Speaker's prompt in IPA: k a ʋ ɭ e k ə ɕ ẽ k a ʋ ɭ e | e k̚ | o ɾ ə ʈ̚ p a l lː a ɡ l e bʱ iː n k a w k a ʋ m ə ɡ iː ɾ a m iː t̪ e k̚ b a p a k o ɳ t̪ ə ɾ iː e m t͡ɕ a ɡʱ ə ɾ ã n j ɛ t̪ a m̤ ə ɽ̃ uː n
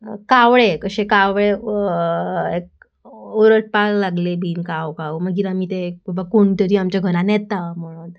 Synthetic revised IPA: k a ʋ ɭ e k ə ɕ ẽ k a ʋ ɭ e | e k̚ | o ɾ ə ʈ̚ p a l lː a ɡ l e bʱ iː n k a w k a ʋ m ə ɡ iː ɾ a m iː t̪ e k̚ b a b a k o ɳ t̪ ə ɾ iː a m t͡ɕ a ɡʱ ə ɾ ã n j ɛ t̪ a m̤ ə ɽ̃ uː n

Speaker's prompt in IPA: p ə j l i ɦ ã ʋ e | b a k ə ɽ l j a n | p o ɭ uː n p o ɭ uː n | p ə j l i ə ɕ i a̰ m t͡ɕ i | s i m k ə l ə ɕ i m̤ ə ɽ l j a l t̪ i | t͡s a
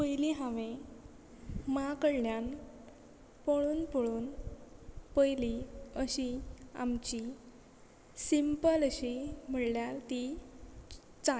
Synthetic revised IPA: p ə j l i ɦ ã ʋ e | m a k ə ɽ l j a n | p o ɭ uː n p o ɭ uː n | p ə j l i ə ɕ i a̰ m t͡ɕ i | s i m p ə l ə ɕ i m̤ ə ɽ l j a l t̪ i | t͡s a

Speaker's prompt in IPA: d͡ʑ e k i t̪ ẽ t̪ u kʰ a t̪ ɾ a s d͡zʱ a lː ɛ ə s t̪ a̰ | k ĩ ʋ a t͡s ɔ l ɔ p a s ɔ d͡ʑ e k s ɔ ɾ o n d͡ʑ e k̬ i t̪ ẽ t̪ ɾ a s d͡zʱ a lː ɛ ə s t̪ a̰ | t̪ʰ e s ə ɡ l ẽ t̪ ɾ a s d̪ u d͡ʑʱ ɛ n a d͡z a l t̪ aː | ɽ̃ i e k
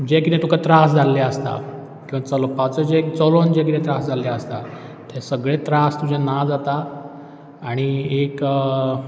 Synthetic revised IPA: d͡ʑ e k i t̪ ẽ t̪ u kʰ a t̪ ɾ a s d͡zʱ a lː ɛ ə s t̪ a̰ | k ĩ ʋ a t͡s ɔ l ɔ p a t͡s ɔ d͡ʑ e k t͡s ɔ l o n d͡ʑ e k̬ i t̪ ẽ t̪ ɾ a s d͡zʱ a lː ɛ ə s t̪ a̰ | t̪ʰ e s ə ɡ ɭ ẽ t̪ ɾ a s t̪ u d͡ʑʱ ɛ n a d͡z a t̪ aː | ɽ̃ i e k

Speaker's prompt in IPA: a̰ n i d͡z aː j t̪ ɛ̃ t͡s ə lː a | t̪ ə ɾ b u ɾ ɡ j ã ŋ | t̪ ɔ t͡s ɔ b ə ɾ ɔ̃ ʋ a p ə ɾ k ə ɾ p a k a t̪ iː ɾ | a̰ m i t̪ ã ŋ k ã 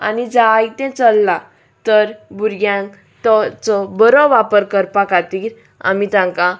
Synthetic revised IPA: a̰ n i d͡z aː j t̪ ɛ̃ t͡s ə lː a | t̪ ə ɾ b u ɾ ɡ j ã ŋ | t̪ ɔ t͡s ɔ b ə ɾ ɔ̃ ʋ a p ə ɾ k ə ɾ p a k a t̪ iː ɾ | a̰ m i t̪ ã ŋ k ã

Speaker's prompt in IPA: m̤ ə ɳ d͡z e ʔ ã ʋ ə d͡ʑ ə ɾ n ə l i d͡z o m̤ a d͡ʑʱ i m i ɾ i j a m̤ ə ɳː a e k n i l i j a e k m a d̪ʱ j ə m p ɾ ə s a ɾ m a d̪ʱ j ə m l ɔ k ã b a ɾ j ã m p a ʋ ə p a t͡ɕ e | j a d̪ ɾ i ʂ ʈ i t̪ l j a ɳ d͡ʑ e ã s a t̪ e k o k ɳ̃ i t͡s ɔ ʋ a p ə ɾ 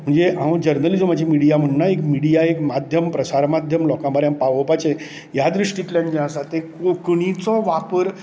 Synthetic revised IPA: m̤ ə ɳ d͡z e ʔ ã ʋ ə d͡ʑ ə ɾ n ə l i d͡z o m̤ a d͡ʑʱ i m i ɽ i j a m̤ ə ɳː a e k m i ɽ i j a e k m a d̪ʱ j ə m p ɾ ə s a ɾ m a d̪ʱ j ə m l ɔ k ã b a ɾ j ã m p a ʋ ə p a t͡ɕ e | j a d̪ ɾ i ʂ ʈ i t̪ l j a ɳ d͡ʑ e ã s a t̪ e k o k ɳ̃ i t͡s ɔ ʋ a p ə ɾ

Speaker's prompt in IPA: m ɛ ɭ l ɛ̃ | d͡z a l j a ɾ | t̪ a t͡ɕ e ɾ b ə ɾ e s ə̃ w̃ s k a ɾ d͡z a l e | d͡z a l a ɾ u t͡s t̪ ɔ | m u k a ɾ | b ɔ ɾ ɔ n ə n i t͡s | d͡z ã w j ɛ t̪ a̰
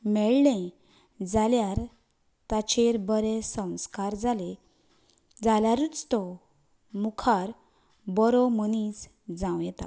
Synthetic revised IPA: m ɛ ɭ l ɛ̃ | d͡z a l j a ɾ | t̪ a t͡ɕ e ɾ b ə ɾ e s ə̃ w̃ s k a ɾ d͡z a l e | d͡z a l a ɾ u t͡s t̪ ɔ | m u kʰ a ɾ | b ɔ ɾ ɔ m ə n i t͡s | d͡z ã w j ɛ t̪ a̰

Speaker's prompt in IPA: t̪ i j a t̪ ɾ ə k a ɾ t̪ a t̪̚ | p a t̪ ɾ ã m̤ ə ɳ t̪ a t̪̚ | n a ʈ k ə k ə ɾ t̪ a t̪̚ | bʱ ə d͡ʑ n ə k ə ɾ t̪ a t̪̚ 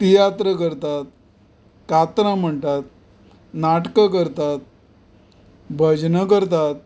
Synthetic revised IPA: t̪ i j a t̪ ɾ ə k ə ɾ t̪ a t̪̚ | k a t̪ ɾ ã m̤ ə ɳ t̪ a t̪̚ | n a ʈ k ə k ə ɾ t̪ a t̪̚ | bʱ ə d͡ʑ n ə k ə ɾ t̪ a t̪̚

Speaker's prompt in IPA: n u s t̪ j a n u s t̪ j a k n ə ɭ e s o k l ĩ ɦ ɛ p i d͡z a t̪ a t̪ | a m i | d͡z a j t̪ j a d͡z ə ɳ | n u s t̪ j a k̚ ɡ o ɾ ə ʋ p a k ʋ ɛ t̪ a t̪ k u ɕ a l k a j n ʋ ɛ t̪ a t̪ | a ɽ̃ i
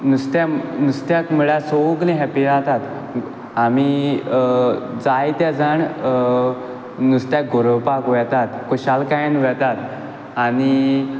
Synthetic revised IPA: n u s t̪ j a n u s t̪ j a k m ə ɭ a s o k l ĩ ɦ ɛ p i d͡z a t̪ a t̪ | a m i | d͡z a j t̪ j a d͡z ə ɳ | n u s t̪ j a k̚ ɡ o ɾ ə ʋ p a k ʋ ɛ t̪ a t̪ k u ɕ a l k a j n ʋ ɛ t̪ a t̪ | a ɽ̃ i

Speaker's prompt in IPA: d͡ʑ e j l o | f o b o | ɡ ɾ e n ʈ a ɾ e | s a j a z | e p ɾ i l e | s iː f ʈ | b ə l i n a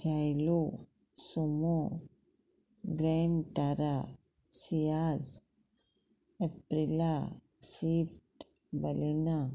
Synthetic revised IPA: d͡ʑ a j l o | s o m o | ɡ ɾ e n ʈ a ɾ a | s i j a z | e p ɾ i l a | s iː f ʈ | b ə l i n a

